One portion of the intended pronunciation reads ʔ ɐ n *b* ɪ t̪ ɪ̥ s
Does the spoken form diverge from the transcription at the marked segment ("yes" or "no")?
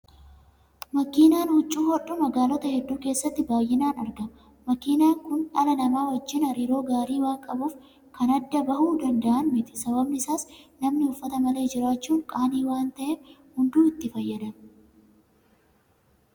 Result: yes